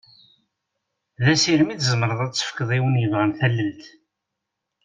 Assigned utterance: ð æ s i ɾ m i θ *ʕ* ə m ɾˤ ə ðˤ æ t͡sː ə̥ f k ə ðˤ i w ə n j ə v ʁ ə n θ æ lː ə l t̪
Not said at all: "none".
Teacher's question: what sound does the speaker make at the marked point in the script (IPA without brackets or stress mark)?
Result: z